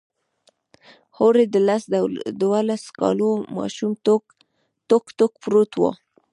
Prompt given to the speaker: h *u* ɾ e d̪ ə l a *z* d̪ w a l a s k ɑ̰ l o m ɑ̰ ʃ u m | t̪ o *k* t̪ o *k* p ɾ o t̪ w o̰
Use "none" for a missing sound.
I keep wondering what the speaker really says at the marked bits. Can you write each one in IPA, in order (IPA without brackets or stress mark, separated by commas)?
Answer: o, s, k, k